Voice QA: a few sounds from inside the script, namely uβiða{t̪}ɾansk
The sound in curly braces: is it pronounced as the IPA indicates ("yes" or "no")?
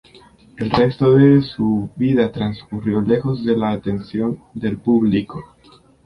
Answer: yes